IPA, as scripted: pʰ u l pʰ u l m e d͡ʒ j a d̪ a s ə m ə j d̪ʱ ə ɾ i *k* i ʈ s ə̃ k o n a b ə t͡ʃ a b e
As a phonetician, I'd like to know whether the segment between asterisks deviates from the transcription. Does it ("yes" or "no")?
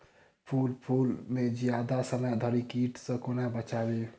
no